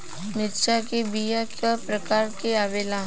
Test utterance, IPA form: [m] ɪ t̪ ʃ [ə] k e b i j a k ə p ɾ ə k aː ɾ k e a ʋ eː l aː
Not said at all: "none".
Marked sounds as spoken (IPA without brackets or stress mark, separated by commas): m, a